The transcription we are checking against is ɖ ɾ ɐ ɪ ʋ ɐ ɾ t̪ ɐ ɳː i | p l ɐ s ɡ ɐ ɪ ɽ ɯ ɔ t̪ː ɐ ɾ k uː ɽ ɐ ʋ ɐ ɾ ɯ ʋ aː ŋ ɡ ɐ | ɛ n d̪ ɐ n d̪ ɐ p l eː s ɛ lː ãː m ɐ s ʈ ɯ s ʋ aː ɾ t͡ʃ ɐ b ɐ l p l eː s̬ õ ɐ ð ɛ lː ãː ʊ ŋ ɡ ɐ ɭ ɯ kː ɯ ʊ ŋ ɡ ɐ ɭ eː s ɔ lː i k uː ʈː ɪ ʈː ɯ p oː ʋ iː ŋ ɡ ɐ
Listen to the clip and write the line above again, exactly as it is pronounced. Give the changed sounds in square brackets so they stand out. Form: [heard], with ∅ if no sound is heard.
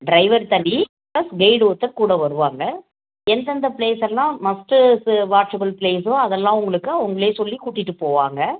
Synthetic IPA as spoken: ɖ ɾ ɐ ɪ ʋ ɐ ɾ t̪ ɐ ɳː i | p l ɐ s ɡ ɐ ɪ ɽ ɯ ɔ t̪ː ɐ ɾ k uː ɽ ɐ ʋ ɐ ɾ ɯ ʋ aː ŋ ɡ ɐ | ɛ n d̪ ɐ n d̪ ɐ p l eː s ɛ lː ãː m ɐ s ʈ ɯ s ʋ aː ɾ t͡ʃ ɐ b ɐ l p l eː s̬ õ ɐ ð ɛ lː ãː ʊ ŋ ɡ ɐ ɭ ɯ kː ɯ ʊ ŋ ɡ ɐ ɭ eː s ɔ lː i k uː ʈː ɪ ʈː ɯ p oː ʋ [aː] ŋ ɡ ɐ